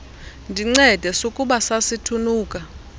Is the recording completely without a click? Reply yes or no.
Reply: no